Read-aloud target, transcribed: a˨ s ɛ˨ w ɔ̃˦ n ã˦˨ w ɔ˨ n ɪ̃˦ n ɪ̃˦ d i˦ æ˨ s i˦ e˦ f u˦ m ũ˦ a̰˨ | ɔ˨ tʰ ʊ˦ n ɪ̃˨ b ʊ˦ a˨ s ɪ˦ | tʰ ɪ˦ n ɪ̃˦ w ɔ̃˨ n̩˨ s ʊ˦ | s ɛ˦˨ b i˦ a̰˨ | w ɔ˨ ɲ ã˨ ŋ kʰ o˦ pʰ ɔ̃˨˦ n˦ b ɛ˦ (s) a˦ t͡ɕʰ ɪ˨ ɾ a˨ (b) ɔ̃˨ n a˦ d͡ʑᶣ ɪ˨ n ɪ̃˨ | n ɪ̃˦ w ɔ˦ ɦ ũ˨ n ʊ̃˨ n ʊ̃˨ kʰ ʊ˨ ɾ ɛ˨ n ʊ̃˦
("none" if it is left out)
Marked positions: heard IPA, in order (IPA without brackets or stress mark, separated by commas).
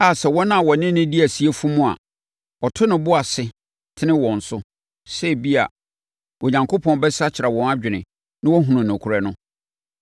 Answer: s, w